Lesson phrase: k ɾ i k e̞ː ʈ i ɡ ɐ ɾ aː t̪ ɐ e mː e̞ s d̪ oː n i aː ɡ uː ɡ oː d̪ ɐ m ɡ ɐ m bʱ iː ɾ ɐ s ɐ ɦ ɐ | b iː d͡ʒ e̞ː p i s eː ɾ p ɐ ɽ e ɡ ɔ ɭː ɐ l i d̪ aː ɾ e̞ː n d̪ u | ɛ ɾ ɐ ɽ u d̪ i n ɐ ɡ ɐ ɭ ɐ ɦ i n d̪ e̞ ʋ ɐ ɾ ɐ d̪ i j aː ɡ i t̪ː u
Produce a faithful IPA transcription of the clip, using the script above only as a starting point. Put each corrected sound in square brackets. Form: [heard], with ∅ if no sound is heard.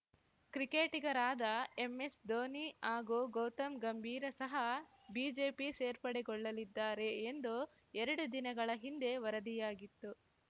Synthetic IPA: k ɾ i k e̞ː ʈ i ɡ ɐ ɾ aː [d̪] ɐ e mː e̞ s d̪ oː n i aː ɡ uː ɡ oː [t̪] ɐ m ɡ ɐ m bʱ iː ɾ ɐ s ɐ ɦ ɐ | b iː d͡ʒ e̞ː p i s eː ɾ p ɐ ɽ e ɡ ɔ ɭː ɐ l i [d̪ː] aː ɾ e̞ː n d̪ u | ɛ ɾ ɐ ɽ u d̪ i n ɐ ɡ ɐ ɭ ɐ ɦ i n d̪ e̞ ʋ ɐ ɾ ɐ d̪ i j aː ɡ i t̪ː u